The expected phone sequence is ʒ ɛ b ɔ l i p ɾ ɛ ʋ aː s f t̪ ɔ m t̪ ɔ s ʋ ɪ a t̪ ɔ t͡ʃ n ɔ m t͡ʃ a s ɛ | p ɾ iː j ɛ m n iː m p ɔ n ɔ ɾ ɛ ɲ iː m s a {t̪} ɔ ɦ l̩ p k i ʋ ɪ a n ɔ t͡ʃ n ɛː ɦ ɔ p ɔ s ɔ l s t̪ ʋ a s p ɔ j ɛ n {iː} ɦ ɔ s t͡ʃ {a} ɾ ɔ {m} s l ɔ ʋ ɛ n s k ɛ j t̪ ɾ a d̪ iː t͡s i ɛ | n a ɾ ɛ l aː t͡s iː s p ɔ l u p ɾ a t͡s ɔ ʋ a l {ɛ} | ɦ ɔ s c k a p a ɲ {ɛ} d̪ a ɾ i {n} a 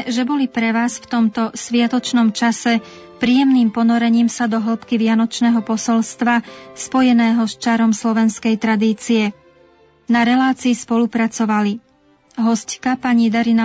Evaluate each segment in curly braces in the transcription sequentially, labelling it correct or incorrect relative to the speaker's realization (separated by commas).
incorrect, incorrect, correct, correct, incorrect, incorrect, correct